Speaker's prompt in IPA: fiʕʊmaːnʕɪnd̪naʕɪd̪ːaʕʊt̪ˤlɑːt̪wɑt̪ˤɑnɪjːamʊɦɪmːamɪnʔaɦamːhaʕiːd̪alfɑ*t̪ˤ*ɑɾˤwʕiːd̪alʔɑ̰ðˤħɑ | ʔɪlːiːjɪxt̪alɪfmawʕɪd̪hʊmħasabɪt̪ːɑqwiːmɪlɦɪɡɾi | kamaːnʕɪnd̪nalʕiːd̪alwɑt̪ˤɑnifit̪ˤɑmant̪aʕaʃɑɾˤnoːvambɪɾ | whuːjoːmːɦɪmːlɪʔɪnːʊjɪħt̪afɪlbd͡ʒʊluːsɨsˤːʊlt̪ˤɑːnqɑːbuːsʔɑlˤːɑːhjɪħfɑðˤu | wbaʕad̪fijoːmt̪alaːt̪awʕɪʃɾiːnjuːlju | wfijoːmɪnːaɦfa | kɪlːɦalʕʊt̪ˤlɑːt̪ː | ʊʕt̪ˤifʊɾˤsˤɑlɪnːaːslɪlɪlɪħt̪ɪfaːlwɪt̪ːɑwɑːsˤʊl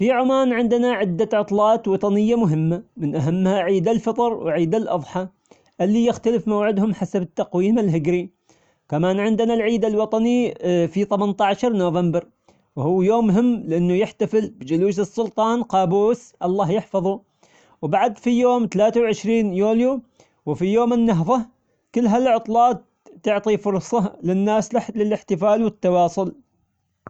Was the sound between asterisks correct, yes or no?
yes